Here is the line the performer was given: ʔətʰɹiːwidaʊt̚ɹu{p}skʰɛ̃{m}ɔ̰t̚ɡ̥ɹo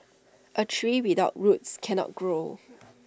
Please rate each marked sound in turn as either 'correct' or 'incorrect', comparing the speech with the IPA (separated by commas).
incorrect, incorrect